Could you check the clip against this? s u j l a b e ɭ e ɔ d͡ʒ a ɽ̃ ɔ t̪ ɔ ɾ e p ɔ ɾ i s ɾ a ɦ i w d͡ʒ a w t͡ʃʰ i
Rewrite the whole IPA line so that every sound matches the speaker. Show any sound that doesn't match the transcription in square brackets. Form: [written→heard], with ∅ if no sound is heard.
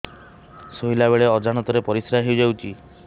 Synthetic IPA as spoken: s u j l a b e ɭ e ɔ d͡ʒ a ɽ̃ ɔ t̪ ɔ ɾ e p ɔ ɾ i s ɾ a ɦ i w d͡ʒ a w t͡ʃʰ i

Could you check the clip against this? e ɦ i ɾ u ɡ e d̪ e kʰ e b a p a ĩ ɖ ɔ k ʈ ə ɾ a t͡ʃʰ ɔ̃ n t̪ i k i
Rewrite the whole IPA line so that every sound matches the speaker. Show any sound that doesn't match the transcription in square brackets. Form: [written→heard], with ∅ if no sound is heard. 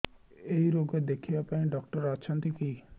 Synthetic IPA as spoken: e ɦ i ɾ [u→o] ɡ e d̪ e kʰ [e→i] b a p a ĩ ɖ ɔ k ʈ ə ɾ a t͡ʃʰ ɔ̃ n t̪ i k i

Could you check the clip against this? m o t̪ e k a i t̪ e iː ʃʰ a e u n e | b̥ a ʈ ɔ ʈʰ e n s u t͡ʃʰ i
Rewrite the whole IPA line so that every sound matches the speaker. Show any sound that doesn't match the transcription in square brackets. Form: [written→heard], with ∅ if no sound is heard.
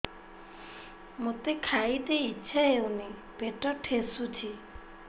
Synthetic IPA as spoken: m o t̪ e [k→kʰ] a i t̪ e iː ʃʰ a e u n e | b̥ [a→e] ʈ ɔ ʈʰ e [n→∅] s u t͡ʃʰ i

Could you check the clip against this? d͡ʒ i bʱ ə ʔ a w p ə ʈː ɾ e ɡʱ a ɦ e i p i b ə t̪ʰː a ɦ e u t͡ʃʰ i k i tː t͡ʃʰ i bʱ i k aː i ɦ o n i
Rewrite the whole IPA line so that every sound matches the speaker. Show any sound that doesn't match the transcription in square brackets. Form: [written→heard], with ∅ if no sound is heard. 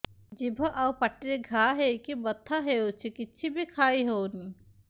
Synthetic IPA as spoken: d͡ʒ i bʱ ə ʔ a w p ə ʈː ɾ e ɡʱ a ɦ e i [p→k] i b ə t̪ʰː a ɦ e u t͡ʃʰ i k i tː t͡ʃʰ i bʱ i [k→kʰ] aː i ɦ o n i

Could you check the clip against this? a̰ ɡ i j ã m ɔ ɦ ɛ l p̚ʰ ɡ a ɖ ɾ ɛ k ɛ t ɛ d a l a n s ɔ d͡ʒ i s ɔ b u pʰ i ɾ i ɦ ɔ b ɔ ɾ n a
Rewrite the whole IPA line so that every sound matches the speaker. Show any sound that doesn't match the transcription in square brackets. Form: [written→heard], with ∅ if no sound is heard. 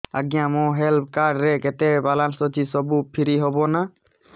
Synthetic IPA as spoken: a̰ ɡ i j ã m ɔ ɦ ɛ l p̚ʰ [ɡ→k] a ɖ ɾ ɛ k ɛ t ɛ [d→b] a l a n s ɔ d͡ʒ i s ɔ b u pʰ i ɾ i ɦ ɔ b ɔ [ɾ→∅] n a

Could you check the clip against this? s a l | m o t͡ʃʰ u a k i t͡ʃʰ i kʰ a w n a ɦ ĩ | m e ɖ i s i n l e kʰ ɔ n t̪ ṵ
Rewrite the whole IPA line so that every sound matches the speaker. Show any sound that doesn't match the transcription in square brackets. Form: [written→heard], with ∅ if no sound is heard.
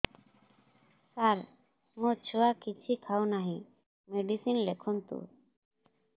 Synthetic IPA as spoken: s a [l→ɾ] | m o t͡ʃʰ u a k i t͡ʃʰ i kʰ a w n a ɦ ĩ | m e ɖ i s i n l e kʰ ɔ n t̪ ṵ

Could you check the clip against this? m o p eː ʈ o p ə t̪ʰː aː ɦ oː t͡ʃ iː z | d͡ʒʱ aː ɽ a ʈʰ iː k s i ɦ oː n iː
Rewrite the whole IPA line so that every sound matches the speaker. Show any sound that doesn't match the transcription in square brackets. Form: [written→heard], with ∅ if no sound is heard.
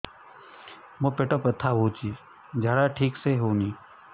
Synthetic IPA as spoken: m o p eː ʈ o p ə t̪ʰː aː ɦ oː t͡ʃ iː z | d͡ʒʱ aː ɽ a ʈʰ iː k s [i→e] ɦ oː n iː

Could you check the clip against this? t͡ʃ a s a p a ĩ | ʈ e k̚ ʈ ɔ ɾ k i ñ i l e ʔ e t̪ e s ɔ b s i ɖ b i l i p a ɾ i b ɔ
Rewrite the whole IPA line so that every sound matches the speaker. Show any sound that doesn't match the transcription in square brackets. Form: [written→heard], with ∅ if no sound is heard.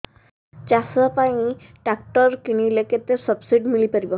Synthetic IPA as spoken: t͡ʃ a s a p a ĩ | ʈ [e→a] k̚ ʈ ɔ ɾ k i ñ i l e [ʔ→k] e t̪ e s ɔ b s i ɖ [b→m] i l i p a ɾ i b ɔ

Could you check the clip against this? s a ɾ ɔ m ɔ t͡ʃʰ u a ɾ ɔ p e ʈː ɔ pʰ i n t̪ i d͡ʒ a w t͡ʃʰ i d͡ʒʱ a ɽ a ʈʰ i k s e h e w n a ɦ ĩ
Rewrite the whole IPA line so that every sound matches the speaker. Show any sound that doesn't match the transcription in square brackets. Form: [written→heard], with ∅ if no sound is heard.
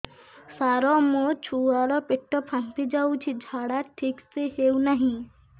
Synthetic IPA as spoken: s a ɾ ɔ m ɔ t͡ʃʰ u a ɾ ɔ p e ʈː ɔ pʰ [i→a] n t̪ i d͡ʒ a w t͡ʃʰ i d͡ʒʱ a ɽ a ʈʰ i k s e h e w n a ɦ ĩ

